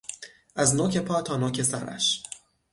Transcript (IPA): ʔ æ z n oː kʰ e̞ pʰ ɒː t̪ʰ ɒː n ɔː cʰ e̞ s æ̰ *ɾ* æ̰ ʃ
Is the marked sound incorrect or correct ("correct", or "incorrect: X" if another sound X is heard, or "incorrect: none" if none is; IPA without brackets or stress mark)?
correct